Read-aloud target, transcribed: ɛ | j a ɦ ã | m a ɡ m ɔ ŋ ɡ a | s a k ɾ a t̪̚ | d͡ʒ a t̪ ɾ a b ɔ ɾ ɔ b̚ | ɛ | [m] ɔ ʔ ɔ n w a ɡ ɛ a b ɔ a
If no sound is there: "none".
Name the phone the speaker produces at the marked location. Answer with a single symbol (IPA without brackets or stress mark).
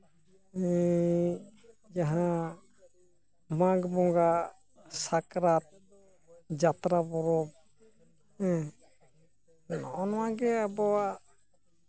n